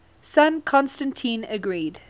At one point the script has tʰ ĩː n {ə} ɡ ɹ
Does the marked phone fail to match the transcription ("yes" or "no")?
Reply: no